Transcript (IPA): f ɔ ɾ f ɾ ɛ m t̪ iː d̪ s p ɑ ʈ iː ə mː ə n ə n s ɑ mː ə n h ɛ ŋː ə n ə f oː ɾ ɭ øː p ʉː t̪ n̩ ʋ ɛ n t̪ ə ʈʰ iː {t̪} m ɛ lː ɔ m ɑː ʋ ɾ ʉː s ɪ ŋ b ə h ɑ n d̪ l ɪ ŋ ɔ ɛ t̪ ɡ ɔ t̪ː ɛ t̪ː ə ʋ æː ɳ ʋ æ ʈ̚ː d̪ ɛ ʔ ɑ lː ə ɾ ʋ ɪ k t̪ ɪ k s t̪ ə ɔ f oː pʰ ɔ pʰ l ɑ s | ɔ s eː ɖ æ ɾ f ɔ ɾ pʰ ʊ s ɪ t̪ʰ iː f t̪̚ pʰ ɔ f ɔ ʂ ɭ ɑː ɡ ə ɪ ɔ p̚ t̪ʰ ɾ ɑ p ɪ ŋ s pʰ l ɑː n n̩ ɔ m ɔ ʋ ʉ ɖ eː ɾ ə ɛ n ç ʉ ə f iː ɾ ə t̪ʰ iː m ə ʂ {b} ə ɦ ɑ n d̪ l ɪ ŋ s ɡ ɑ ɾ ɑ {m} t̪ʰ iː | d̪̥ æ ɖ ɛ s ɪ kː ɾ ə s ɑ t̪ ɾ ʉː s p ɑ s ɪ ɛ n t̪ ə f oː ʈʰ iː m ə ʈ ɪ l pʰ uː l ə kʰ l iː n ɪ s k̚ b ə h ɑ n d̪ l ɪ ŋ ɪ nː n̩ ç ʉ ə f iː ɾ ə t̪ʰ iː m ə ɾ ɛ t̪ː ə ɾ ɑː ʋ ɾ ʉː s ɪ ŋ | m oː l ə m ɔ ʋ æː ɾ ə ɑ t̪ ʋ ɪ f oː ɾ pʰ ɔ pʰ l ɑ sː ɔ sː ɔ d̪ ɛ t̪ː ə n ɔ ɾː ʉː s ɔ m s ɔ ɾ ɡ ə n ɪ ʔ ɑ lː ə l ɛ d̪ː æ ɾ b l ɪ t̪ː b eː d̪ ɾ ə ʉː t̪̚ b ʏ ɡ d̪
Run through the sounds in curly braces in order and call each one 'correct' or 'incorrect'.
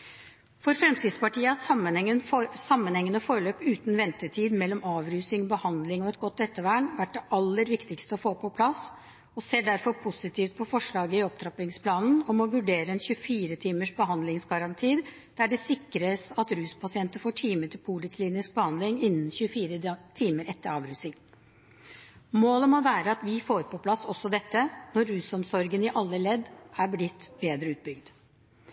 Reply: incorrect: d̪, correct, incorrect: n

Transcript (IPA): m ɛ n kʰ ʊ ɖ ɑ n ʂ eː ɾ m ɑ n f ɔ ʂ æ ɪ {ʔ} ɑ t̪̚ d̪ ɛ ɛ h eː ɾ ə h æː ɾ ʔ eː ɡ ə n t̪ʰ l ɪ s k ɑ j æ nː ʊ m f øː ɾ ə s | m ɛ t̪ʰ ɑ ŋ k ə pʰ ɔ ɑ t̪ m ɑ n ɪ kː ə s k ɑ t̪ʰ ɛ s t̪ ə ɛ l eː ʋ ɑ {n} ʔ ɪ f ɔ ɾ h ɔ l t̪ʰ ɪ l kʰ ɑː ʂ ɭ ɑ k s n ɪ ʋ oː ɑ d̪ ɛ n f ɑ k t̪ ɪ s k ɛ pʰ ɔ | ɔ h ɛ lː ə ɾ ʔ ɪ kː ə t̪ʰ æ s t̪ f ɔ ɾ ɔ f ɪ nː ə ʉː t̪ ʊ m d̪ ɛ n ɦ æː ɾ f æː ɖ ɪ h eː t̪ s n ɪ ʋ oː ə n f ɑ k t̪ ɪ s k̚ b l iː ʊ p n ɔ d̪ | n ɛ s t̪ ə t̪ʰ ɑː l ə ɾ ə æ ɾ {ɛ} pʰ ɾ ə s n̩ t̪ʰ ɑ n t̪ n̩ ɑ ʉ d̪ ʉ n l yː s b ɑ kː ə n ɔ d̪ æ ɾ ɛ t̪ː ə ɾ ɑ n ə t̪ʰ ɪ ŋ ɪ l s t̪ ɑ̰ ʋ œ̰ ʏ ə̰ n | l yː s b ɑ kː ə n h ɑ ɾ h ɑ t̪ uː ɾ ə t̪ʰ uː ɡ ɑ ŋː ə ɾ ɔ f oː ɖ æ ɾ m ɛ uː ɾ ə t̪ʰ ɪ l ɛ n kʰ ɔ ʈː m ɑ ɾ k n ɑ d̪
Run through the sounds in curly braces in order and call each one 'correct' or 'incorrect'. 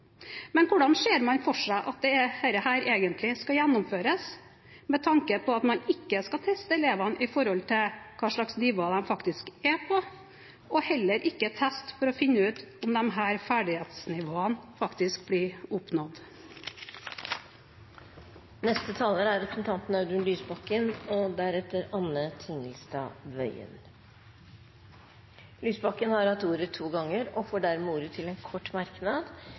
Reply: correct, correct, correct

